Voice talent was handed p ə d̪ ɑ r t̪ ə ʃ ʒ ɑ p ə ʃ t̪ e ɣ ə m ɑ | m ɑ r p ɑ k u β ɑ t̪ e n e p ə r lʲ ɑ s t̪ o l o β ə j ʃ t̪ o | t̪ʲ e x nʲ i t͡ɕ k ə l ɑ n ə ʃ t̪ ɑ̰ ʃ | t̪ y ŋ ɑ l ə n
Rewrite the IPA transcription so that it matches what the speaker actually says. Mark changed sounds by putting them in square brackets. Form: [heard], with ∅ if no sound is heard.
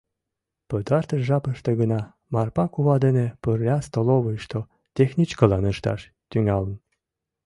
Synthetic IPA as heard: p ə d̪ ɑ r t̪ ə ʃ ʒ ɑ p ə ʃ t̪ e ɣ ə [n] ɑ | m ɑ r p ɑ k u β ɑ [d̪] e n e p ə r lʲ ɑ s t̪ o l o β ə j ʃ t̪ o | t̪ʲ e x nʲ i t͡ɕ k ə l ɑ n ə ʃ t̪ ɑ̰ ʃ | t̪ y ŋ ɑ l ə n